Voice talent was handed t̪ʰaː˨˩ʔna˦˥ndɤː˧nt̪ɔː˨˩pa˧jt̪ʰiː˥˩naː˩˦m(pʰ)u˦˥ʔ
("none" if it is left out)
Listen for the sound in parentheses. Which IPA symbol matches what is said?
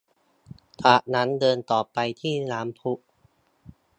pʰ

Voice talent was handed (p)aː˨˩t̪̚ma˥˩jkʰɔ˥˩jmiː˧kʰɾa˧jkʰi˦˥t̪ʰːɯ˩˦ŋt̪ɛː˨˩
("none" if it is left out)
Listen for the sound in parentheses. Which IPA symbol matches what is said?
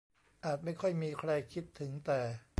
ʔ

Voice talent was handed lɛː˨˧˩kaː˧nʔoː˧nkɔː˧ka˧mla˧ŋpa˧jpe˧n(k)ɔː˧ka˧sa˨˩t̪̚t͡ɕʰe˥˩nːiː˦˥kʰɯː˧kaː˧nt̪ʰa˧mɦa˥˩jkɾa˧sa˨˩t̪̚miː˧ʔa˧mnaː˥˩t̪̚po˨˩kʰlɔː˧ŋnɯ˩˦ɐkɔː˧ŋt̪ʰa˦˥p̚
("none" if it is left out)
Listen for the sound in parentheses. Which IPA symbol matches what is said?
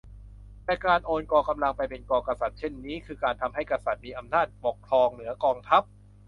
k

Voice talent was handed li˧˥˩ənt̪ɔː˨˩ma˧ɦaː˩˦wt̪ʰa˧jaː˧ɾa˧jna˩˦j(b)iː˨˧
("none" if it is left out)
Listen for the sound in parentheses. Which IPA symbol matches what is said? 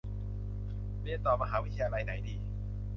d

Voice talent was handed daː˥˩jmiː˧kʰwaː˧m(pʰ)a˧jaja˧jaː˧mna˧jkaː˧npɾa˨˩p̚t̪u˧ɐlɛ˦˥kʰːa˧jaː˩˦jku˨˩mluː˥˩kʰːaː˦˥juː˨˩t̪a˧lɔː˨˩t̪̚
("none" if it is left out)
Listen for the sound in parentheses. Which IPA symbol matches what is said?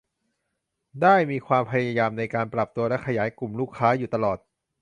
pʰ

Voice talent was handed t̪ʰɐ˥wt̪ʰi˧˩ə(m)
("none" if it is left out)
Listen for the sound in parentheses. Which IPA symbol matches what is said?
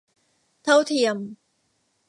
m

